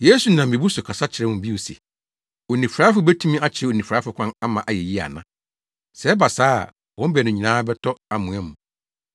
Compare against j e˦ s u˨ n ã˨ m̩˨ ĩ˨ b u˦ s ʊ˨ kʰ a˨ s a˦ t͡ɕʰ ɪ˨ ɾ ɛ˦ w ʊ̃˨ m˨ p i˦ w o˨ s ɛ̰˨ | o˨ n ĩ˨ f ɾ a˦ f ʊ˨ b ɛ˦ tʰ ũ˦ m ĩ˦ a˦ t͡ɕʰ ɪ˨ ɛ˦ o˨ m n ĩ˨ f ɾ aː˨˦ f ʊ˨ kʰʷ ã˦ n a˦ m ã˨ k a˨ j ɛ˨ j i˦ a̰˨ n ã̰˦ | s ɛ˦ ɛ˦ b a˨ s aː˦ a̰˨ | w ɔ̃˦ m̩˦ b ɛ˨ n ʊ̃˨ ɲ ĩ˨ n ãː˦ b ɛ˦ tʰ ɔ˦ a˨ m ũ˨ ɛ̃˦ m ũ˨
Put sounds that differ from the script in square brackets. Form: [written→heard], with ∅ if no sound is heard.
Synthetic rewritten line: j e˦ s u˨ n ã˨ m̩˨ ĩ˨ b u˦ s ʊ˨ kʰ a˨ s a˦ t͡ɕʰ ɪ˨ ɾ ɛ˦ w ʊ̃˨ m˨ [p→b] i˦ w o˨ s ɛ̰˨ | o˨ n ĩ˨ f ɾ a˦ f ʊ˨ b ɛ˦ tʰ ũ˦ m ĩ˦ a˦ t͡ɕʰ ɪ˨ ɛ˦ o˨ [m→∅] n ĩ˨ f ɾ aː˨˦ f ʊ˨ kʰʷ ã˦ n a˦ m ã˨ [k→ʔ] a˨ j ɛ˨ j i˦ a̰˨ n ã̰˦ | s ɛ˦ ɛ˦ b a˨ s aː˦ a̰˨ | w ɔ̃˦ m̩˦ b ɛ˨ n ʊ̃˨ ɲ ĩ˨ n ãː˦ b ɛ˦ tʰ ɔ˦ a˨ m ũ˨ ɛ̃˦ m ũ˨